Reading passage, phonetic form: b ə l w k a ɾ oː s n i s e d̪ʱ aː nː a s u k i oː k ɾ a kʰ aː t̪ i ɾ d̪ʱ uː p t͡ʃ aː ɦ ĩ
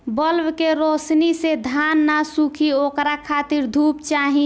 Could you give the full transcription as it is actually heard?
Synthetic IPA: b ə l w k e ɾ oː s n i s e d̪ʱ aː nː a s u kʰ i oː k ɾ a kʰ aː t̪ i ɾ d̪ʱ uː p t͡ʃ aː ɦ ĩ